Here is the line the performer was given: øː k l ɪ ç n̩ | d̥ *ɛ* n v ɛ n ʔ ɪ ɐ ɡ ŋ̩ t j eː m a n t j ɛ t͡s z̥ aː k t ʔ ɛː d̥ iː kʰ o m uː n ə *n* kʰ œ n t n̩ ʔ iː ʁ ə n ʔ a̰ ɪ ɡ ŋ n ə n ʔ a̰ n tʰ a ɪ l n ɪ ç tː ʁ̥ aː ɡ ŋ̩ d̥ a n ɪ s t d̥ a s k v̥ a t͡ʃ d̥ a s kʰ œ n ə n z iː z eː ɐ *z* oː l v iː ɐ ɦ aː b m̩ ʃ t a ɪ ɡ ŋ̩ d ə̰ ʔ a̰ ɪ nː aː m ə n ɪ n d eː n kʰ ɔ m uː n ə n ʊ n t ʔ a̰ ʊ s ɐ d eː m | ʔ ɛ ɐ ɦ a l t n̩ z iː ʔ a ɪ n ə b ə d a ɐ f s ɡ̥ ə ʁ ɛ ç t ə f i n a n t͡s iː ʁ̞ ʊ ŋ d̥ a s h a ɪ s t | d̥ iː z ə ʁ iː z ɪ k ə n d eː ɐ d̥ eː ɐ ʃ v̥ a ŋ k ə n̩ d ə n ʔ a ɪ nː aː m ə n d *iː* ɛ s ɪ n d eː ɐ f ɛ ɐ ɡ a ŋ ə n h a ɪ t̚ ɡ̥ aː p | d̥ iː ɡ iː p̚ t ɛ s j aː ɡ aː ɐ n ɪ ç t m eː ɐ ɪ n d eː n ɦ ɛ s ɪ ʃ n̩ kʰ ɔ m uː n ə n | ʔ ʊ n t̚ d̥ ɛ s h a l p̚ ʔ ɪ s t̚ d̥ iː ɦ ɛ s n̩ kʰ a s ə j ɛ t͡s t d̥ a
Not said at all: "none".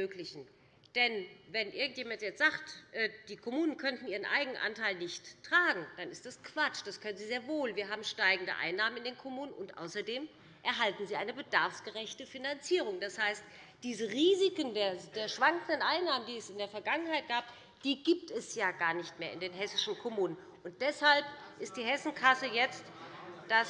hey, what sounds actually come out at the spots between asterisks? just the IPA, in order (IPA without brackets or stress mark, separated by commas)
ɛ, n, v, iː